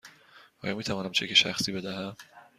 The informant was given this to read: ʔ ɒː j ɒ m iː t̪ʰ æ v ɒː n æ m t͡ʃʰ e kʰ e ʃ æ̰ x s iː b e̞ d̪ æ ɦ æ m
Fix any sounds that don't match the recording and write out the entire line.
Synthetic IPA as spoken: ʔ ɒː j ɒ m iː t̪ʰ æ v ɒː n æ m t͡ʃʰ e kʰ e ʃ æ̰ x s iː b e̞ d̪ æ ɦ æ m

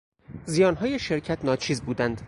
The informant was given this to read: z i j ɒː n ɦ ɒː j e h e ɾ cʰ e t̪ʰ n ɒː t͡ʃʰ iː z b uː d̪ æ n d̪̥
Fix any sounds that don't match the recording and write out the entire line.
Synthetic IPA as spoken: z i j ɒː n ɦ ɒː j e ʃ e ɾ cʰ æ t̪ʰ n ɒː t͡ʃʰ iː z b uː d̪ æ n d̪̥

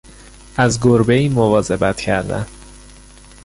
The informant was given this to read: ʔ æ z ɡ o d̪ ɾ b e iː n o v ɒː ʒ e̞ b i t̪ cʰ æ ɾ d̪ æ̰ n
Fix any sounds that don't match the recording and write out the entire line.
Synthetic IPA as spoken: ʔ æ z ɡ o ɾ b e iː m o v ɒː z e̞ b æ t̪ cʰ æ ɾ d̪ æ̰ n

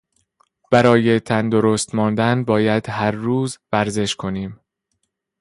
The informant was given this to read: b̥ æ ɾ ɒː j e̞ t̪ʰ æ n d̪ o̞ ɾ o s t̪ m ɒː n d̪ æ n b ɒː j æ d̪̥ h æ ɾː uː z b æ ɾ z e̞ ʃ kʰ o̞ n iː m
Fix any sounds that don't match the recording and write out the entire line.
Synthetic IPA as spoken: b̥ æ ɾ ɒː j e̞ t̪ʰ æ n d̪ o̞ ɾ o s t̪ m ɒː n d̪ æ n b ɒː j æ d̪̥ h æ ɾː uː z v æ ɾ z e̞ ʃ kʰ o̞ n iː m

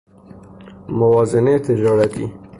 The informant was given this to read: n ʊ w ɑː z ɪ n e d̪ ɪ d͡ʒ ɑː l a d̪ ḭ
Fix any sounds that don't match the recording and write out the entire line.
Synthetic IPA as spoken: m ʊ w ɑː z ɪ n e t̪ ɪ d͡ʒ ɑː ɾ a t̪ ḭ

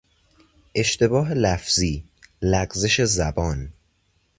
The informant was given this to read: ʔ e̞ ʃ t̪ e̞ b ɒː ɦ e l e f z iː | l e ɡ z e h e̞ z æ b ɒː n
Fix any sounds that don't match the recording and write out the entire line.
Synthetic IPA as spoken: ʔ e̞ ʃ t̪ e̞ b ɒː ɦ e l æ f z iː | l æ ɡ z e ʃ e̞ z æ b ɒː n

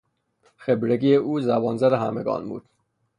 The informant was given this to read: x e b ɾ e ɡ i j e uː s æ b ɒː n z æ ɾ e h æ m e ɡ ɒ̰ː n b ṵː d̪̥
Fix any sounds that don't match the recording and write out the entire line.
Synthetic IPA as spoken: x e b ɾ e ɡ i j e uː z æ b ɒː n z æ ɾ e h æ m e ɡ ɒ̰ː n b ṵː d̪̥

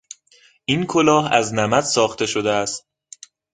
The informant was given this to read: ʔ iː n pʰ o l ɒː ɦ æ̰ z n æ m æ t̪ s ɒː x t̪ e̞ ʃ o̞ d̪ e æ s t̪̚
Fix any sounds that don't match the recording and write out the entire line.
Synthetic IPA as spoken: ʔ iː n kʰ o l ɒː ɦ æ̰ z n æ m æ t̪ s ɒː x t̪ e̞ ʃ o̞ d̪ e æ s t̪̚

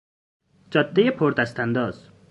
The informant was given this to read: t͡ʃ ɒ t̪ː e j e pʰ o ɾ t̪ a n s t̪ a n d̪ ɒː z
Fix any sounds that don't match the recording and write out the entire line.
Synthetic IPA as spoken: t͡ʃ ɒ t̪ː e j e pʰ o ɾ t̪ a s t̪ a n d̪ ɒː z

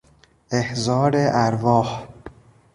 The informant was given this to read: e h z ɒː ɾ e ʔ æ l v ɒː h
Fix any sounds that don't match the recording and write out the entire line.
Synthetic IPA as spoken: e h z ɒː ɾ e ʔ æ ɾ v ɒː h

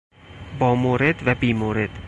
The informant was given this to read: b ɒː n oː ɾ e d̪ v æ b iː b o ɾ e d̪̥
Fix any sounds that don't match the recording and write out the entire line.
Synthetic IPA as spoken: b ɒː m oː ɾ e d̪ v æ b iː m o ɾ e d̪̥

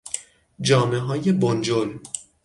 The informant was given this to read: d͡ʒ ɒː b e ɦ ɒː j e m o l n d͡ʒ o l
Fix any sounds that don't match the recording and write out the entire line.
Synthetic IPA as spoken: d͡ʒ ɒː m e ɦ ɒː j e b o n d͡ʒ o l

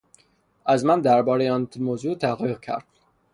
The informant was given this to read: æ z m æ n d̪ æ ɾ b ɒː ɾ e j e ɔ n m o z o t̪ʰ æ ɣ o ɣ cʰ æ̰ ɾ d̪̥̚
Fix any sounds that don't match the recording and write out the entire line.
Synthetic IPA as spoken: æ z m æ n d̪ æ ɾ b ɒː ɾ e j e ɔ n m o z u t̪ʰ æ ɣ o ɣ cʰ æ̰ ɾ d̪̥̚

